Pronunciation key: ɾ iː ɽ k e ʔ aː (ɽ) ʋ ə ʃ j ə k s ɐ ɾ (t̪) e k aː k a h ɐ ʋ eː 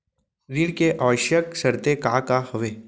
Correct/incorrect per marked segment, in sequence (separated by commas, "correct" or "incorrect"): incorrect, correct